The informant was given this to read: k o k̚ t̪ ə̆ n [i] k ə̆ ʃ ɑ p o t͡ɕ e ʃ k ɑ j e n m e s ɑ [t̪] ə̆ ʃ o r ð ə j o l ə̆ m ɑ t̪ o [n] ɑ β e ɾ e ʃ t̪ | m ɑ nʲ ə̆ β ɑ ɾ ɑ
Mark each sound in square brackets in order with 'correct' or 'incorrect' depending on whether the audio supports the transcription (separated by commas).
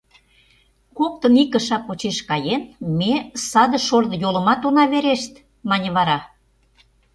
correct, incorrect, correct